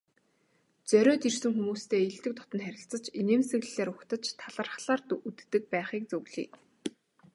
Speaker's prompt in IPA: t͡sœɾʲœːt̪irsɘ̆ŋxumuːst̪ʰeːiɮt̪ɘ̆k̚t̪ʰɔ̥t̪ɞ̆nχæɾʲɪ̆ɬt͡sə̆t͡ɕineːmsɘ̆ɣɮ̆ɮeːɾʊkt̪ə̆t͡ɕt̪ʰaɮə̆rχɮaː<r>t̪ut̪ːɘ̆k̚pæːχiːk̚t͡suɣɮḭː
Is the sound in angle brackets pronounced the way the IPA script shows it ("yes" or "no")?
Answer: yes